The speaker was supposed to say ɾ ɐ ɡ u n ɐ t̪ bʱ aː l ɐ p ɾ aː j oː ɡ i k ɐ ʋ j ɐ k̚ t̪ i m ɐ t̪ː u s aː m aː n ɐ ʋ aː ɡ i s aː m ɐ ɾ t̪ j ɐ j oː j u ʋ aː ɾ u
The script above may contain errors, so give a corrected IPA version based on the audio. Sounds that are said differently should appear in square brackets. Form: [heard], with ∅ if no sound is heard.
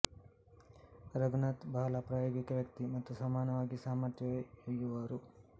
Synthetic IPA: ɾ ɐ ɡ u n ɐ t̪ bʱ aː l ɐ p ɾ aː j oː ɡ i k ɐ ʋ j ɐ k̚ t̪ i m ɐ t̪ː u s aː m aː n ɐ ʋ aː ɡ i s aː m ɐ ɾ t̪ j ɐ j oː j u ʋ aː ɾ u